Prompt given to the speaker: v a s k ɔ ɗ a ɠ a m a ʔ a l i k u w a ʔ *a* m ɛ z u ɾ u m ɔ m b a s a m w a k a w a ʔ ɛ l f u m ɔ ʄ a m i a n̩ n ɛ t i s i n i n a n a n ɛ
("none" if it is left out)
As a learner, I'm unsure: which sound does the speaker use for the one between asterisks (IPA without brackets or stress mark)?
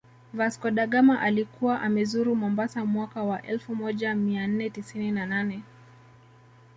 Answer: a